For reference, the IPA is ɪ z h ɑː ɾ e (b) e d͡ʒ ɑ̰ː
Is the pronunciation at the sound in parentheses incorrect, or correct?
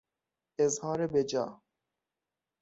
correct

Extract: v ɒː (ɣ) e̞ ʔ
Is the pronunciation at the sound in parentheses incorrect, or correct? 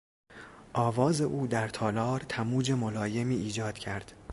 incorrect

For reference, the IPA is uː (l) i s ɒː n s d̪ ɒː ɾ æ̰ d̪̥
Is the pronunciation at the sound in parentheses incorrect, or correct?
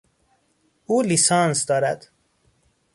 correct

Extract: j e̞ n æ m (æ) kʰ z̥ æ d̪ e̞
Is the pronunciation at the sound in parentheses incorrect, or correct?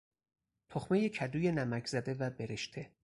correct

